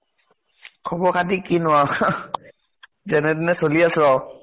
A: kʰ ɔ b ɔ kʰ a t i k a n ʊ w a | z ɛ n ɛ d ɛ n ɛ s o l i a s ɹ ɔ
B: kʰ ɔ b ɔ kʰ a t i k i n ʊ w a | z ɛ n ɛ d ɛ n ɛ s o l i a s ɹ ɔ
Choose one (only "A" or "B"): B